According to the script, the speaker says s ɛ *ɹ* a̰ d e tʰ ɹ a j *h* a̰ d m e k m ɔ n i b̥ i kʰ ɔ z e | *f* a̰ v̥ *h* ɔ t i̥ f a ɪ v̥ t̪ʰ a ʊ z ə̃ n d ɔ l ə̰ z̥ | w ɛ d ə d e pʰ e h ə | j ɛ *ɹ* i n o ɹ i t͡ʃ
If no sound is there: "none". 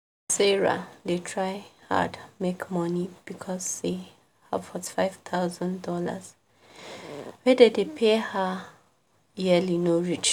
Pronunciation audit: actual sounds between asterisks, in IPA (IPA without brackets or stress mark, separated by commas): ɹ, h, h, f, l